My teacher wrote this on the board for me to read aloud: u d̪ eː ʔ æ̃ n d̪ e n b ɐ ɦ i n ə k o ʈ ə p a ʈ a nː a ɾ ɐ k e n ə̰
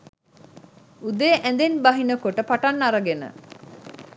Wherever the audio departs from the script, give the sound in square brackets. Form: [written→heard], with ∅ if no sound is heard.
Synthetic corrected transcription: u d̪ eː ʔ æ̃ n d̪ e n b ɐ ɦ i n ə k o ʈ ə p a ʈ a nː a ɾ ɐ [k→ɡ] e n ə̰

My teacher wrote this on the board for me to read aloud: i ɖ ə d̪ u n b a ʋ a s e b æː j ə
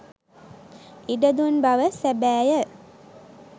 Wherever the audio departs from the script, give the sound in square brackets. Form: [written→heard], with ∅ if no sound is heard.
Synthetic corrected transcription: i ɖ ə d̪ u n b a ʋ [a→ə] s [e→æ] b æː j ə

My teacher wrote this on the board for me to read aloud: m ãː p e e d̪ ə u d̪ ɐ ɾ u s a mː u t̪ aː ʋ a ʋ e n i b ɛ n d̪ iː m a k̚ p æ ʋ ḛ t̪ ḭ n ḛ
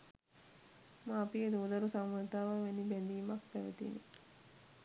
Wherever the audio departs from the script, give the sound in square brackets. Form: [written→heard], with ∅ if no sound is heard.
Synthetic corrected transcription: m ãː p [e→i] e d̪ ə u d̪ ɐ ɾ u s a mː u t̪ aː ʋ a ʋ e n i b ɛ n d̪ iː m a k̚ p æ ʋ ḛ t̪ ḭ n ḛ

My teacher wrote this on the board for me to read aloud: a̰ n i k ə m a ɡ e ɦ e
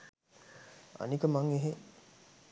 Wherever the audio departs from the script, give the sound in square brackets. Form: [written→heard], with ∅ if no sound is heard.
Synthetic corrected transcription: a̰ n i k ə m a [ɡ→ŋ] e ɦ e

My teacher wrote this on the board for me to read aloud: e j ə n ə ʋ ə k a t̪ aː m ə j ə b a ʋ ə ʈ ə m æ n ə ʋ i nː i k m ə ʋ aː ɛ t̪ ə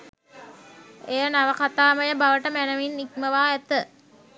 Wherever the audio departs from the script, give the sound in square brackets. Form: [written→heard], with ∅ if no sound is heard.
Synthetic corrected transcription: e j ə n [ə→a] ʋ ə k a t̪ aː m ə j ə b a ʋ ə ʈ ə m æ n ə ʋ i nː i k m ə ʋ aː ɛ t̪ ə

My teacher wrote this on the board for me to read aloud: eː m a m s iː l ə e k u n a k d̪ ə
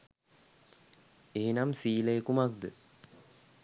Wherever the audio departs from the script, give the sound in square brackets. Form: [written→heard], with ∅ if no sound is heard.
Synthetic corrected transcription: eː [m→n] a m s iː l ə e k u [n→m] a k d̪ ə

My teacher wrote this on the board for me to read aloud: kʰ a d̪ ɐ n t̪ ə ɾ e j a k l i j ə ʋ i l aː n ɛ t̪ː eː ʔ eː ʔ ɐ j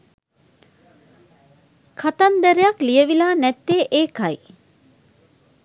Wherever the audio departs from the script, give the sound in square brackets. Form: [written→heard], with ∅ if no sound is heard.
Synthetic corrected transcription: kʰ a [d̪→t̪] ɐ n [t̪→d̪] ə ɾ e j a k l i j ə ʋ i l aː n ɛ t̪ː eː ʔ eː [ʔ→k] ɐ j

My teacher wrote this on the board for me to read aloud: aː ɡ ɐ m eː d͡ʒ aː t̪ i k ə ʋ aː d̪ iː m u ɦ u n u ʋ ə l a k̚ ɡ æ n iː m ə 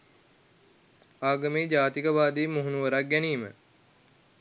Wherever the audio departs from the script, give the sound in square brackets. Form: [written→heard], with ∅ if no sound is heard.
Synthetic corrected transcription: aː ɡ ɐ m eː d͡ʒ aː t̪ i k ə ʋ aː d̪ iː m u ɦ u n u ʋ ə [l→ɾ] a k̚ ɡ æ n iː m ə

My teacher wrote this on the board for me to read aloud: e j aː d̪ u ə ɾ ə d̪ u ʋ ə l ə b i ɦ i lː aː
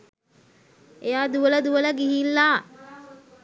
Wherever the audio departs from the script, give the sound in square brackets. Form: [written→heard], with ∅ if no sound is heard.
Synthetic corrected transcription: e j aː d̪ u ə [ɾ→l] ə d̪ u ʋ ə l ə [b→ɡ] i ɦ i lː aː

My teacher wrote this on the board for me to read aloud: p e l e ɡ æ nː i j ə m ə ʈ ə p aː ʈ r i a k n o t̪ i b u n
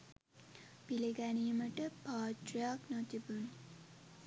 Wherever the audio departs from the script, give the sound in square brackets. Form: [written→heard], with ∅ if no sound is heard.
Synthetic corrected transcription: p [e→i] l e ɡ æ [nː→n] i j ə m ə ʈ ə p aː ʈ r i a k n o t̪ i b u n

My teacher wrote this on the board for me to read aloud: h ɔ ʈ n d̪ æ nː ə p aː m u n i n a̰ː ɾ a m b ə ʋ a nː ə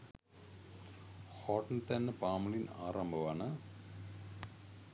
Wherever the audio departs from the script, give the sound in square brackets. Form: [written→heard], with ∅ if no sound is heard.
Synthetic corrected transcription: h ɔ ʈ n [d̪→t̪] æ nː ə p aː m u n i n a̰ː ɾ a m b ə ʋ a [nː→n] ə

